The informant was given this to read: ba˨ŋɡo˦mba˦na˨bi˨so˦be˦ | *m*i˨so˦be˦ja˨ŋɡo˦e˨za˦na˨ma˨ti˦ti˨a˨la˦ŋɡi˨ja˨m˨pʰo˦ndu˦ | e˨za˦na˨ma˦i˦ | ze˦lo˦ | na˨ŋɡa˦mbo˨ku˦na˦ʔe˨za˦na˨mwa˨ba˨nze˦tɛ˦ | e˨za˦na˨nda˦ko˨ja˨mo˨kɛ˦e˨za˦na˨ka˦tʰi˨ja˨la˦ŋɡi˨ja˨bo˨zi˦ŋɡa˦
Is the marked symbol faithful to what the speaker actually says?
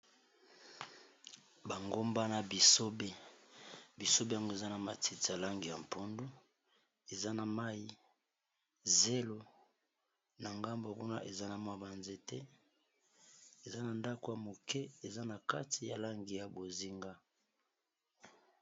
no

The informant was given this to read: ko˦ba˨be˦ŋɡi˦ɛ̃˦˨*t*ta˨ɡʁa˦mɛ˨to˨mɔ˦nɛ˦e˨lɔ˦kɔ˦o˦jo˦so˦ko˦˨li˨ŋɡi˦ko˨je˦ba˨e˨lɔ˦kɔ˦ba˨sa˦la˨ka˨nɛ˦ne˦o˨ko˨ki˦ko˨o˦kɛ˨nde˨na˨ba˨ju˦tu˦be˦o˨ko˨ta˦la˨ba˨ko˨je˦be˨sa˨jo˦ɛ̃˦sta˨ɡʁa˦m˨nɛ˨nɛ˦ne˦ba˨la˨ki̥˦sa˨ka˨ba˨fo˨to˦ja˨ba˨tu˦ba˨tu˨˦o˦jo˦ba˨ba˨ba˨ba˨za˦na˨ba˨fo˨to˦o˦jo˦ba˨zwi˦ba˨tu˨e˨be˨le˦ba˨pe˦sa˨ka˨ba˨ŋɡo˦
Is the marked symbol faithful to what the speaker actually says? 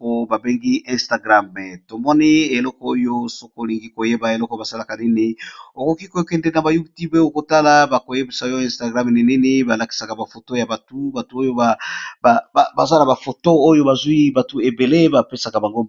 no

